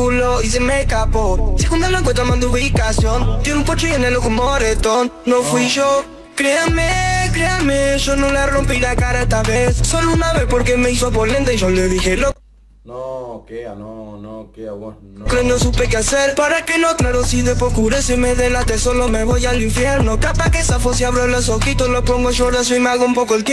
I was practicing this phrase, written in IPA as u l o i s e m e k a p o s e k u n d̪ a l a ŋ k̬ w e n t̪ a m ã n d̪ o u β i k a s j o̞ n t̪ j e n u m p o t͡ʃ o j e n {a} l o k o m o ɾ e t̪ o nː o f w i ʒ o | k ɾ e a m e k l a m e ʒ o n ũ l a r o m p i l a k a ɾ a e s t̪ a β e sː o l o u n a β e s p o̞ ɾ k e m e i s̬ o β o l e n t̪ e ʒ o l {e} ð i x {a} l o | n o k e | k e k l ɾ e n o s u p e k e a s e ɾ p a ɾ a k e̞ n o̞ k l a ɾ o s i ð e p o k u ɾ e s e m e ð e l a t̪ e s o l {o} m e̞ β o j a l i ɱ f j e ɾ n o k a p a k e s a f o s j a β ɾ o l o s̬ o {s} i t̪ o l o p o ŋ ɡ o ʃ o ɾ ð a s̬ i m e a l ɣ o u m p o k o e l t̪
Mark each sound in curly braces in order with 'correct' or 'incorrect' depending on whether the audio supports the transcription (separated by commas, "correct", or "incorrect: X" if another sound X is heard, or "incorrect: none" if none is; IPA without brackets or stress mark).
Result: incorrect: e, correct, incorrect: e, correct, incorrect: x